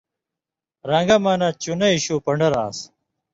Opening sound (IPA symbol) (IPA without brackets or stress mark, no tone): ɾ